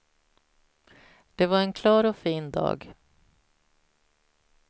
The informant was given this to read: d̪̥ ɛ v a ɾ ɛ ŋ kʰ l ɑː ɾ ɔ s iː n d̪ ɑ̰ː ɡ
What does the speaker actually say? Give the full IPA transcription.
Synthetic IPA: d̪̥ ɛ v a ɾ ɛ n kʰ l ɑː ɾ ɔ f iː n d̪ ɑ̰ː ɡ